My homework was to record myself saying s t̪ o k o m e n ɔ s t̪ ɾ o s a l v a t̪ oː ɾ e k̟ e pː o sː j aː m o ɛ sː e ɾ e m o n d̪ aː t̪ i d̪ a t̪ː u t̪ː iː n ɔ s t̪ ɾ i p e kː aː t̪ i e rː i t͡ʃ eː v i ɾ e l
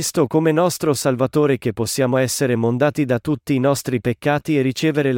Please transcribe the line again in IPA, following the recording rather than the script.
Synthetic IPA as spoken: s t̪ o k o m e n ɔ s t̪ ɾ o s a l v a t̪ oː ɾ e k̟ e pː o sː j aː m o ɛ sː e ɾ e m o n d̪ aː t̪ i d̪ a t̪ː u t̪ː iː n ɔ s t̪ ɾ i p e kː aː t̪ i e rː i t͡ʃ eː v e ɾ e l